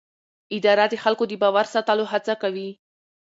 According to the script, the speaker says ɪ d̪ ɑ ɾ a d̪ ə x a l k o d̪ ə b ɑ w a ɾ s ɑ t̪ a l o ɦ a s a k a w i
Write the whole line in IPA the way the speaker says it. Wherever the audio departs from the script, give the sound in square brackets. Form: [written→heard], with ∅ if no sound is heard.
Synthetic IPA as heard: ɪ d̪ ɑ ɾ a d̪ ə x a l k o d̪ ə b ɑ w a ɾ s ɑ t̪ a l o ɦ a [s→t͡s] a k a w i